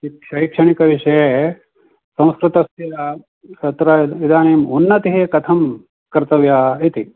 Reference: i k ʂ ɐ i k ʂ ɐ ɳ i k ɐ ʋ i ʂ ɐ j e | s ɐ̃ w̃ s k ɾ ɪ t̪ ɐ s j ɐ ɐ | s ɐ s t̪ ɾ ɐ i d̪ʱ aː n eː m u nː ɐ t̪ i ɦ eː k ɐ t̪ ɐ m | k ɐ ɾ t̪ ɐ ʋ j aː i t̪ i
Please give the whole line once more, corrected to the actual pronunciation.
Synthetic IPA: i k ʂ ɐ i k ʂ ɐ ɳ i k ɐ ʋ i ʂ ɐ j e | s ɐ̃ w̃ s k ɾ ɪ t̪ ɐ s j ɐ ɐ | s ɐ t̪ ɾ ɐ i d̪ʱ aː n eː m u nː ɐ t̪ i ɦ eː k ɐ t̪ʰ ɐ m | k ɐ ɾ t̪ ɐ ʋ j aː i t̪ i

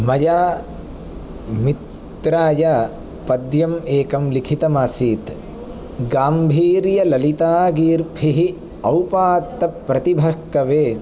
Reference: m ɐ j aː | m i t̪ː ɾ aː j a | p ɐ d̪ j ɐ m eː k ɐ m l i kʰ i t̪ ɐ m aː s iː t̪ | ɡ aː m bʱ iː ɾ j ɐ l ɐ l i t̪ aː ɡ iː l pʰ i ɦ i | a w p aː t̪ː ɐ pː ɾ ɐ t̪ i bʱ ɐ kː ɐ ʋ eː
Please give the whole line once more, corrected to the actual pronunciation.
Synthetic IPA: m ɐ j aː | m i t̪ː ɾ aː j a | p ɐ d̪ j ɐ m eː k ɐ m l i kʰ i t̪ ɐ m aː s iː t̪ | ɡ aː m bʱ iː ɾ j ɐ l ɐ l i t̪ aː ɡ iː ɾ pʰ i ɦ i | ɐ w p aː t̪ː ɐ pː ɾ ɐ t̪ i bʱ ɐ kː ɐ ʋ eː

